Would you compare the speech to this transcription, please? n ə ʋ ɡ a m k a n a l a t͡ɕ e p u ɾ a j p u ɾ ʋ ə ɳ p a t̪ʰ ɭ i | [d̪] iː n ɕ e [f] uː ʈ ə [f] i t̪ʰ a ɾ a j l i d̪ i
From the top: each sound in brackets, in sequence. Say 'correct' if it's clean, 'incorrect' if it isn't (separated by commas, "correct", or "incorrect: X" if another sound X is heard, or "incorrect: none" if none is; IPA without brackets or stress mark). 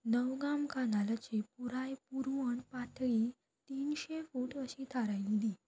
incorrect: t̪, correct, incorrect: ɕ